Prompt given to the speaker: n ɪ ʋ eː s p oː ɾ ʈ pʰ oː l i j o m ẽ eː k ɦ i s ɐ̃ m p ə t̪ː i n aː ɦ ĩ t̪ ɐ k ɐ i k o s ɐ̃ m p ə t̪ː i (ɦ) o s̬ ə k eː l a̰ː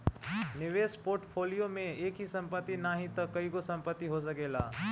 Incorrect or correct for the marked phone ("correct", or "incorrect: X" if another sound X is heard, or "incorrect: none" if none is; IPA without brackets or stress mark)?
correct